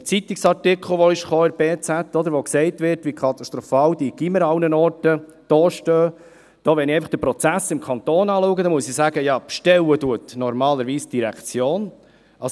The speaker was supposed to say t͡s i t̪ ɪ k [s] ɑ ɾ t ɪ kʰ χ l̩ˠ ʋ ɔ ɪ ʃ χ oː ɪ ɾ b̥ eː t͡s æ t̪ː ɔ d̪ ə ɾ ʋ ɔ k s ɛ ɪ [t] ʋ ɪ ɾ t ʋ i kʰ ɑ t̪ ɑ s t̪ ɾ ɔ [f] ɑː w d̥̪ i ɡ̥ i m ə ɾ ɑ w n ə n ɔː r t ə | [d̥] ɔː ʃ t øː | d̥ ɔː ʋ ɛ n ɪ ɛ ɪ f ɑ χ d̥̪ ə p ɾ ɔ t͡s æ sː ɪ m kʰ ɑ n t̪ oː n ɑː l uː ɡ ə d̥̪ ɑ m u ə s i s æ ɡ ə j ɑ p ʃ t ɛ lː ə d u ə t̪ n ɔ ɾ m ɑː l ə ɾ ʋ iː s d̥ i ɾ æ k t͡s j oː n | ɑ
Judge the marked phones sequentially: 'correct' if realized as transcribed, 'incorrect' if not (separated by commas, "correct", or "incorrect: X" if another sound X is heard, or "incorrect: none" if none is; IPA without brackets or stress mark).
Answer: correct, correct, correct, correct